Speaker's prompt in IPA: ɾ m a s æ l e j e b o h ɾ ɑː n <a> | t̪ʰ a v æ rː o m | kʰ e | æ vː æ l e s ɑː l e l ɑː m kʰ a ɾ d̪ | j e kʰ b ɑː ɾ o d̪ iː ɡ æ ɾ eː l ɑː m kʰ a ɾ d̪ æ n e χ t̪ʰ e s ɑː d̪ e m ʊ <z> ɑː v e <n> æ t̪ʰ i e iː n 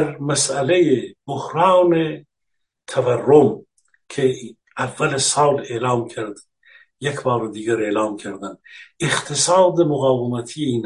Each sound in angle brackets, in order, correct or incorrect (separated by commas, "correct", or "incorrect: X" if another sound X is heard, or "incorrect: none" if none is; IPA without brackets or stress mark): incorrect: e, incorrect: ɣ, incorrect: m